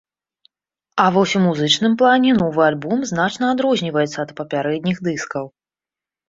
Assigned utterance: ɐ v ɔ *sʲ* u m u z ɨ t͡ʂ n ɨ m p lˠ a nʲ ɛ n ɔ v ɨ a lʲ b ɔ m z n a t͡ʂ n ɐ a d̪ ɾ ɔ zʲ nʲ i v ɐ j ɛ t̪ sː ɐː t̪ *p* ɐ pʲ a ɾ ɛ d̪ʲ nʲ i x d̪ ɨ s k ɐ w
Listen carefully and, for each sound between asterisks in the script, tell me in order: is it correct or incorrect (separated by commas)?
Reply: correct, correct